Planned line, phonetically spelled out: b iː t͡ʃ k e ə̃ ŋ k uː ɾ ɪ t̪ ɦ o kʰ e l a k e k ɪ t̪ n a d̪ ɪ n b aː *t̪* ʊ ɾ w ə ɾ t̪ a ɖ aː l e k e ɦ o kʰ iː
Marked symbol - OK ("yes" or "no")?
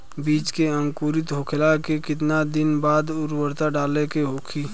no